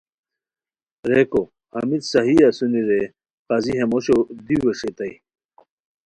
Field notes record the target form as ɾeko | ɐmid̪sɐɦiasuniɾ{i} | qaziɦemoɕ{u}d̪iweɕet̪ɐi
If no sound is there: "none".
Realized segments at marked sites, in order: e, o

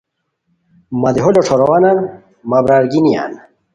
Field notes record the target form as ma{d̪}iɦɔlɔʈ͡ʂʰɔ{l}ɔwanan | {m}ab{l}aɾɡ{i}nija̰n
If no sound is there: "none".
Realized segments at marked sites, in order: d̪, ɾ, m, ɾ, i

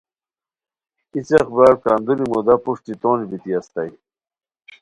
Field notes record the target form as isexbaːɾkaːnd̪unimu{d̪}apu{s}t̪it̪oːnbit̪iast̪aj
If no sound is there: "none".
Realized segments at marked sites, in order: d̪, ʂ

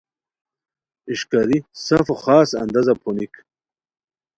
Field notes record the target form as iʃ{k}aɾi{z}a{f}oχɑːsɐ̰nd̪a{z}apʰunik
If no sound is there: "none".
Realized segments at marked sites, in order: k, s, f, z

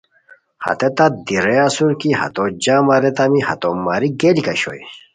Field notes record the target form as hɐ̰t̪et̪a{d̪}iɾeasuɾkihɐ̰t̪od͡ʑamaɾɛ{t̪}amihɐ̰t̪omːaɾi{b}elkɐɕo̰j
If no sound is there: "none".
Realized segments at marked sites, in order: d̪, t̪, ɡ

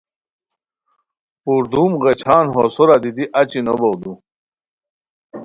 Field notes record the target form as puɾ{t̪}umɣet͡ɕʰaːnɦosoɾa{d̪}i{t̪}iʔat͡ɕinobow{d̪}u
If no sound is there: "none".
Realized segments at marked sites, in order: d̪, d̪, d̪, d̪

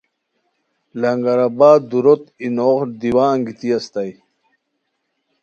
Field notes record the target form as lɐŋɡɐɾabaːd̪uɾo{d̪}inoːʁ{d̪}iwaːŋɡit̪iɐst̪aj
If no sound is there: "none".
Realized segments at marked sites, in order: t̪, d̪

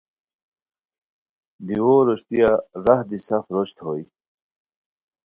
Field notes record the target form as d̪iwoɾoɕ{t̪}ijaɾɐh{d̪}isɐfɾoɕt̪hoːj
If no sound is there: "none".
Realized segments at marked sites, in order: t̪, d̪

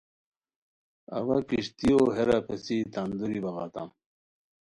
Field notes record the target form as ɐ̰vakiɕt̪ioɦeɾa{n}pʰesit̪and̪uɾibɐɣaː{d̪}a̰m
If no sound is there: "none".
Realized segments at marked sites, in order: none, t̪

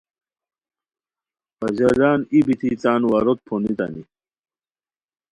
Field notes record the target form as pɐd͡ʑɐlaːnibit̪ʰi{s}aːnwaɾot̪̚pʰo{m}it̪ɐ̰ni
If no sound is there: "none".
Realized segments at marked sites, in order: t͡s, n

